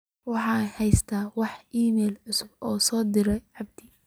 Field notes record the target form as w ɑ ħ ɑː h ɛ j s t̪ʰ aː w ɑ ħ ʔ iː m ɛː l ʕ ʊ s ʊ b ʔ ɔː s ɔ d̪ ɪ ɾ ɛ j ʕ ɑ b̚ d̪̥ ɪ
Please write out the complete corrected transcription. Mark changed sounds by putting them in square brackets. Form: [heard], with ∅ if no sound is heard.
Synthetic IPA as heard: w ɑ ħ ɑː h ɛ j s t̪ʰ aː w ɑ ħ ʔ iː m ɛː l ʕ ʊ s ʊ b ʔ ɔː s [ɔː] d̪ ɪ ɾ ɛ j ʕ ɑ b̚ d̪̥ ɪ

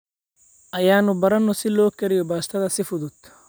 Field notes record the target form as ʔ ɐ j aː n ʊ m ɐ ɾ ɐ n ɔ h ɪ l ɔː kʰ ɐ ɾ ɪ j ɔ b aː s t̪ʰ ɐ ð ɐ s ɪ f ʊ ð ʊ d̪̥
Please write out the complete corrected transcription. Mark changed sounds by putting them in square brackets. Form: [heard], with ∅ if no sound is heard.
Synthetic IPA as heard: ʔ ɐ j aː n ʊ [b] ɐ ɾ ɐ n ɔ [s] ɪ l ɔː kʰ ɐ ɾ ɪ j ɔ b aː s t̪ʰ ɐ ð ɐ s ɪ f ʊ ð ʊ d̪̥

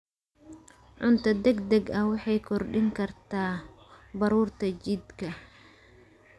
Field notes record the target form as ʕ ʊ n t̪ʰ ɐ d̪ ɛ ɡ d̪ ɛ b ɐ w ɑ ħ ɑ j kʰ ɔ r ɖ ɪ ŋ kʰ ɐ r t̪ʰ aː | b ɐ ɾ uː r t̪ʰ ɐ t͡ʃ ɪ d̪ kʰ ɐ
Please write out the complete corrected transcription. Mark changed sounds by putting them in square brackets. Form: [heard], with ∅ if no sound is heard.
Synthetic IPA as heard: ʕ ʊ n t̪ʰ ɐ d̪ ɛ ɡ d̪ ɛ [ɡ] ɐ w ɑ ħ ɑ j kʰ ɔ r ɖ ɪ ŋ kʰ ɐ r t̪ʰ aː | b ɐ ɾ uː r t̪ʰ ɐ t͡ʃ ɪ d̪ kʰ ɐ

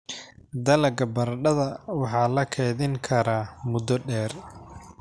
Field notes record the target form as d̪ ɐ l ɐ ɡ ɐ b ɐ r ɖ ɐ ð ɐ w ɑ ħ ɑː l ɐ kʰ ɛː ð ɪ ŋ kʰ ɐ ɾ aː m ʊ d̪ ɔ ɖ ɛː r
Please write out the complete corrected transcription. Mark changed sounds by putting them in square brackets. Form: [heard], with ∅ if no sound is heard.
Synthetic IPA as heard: d̪ ɐ l ɐ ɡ ɐ b ɐ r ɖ ɐ ð ɐ w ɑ ħ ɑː l ɐ kʰ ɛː ð ɪ ŋ kʰ ɐ ɾ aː m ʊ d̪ ɔ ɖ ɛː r

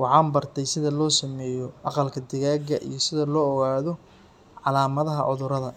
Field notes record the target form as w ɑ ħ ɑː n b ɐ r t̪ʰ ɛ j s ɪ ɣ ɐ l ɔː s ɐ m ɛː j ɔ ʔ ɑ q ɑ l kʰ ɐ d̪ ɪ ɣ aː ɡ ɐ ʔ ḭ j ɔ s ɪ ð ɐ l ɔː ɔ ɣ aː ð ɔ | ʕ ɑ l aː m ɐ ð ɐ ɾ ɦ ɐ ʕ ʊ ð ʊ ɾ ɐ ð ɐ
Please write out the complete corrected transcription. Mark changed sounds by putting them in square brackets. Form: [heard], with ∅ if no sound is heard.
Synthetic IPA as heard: w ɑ ħ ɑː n b ɐ r t̪ʰ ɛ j s ɪ [ð] ɐ l ɔː s ɐ m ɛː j ɔ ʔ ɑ q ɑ l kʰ ɐ d̪ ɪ ɣ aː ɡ ɐ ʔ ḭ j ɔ s ɪ ð ɐ l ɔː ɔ ɣ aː ð ɔ | ʕ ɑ l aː m ɐ ð ɐ [∅] ɦ ɐ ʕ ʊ ð ʊ ɾ ɐ ð ɐ

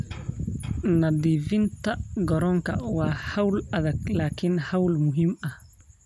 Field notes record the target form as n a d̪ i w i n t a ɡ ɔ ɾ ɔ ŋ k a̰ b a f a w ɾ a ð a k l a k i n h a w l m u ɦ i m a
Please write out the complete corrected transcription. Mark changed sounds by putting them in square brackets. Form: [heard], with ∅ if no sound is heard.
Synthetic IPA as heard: n a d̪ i [v] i n t a ɡ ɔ ɾ ɔ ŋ k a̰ [w] a [h] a w [l] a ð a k l a k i n h a w l m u ɦ i m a

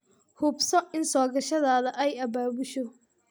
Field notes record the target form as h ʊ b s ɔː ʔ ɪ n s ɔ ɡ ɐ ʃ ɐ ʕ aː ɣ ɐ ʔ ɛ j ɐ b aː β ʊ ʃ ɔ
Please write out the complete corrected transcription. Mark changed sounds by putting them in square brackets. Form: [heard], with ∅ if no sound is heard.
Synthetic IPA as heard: h ʊ b s [ɔ] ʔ ɪ n s [ɔː] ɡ ɐ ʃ ɐ [ð] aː [ð] ɐ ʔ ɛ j ɐ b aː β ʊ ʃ ɔ

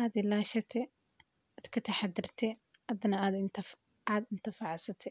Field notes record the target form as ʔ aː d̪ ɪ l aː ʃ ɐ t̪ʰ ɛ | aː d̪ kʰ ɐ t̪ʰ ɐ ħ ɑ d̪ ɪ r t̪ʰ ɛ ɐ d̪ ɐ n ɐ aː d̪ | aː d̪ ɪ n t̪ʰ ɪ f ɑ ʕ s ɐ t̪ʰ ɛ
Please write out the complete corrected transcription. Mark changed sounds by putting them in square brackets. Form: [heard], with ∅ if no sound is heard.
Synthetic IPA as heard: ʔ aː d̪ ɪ l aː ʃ ɐ t̪ʰ ɛ | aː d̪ kʰ ɐ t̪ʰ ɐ ħ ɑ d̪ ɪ r t̪ʰ ɛ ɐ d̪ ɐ n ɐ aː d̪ | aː d̪ ɪ n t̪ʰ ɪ f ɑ ʕ s ɐ t̪ʰ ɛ

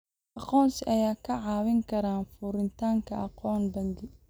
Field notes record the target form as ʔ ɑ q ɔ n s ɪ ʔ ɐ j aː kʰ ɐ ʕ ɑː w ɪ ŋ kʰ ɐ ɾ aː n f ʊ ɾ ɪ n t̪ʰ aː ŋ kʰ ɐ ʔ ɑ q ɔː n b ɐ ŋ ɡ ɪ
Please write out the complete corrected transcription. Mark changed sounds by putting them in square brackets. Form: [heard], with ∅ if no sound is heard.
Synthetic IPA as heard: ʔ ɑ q [ɔː] n s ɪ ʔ ɐ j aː kʰ ɐ ʕ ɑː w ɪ ŋ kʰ ɐ ɾ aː n f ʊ ɾ ɪ n t̪ʰ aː ŋ kʰ ɐ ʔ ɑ q ɔː n b ɐ ŋ ɡ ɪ

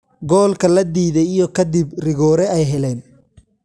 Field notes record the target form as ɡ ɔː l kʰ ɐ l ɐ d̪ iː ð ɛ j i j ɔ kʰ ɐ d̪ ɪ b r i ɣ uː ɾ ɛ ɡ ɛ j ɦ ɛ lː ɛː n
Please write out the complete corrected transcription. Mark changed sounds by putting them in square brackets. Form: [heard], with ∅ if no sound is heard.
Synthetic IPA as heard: ɡ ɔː l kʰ ɐ l ɐ d̪ iː ð ɛ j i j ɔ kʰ ɐ d̪ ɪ b r [ɪ] ɣ [ɔː] ɾ ɛ [∅] ɛ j ɦ ɛ [l] ɛː n

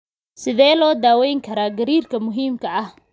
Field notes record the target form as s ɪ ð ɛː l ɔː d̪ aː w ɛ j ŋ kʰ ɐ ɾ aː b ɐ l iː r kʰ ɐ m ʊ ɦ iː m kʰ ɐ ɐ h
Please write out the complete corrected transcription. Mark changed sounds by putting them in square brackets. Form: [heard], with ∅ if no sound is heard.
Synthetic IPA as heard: s ɪ ð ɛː l ɔː d̪ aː w ɛ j ŋ kʰ ɐ ɾ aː [ɡ] ɐ [ɾ] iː r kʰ ɐ m ʊ ɦ iː m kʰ ɐ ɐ h

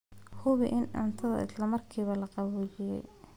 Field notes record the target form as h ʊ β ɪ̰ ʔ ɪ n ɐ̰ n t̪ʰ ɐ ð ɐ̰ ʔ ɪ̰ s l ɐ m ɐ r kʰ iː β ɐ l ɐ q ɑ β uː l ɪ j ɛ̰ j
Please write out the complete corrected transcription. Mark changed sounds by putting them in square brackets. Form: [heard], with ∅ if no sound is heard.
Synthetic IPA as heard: h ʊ β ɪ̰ ʔ ɪ n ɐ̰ n t̪ʰ ɐ ð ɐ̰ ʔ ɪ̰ s l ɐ m ɐ r kʰ iː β ɐ l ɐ q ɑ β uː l ɪ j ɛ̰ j

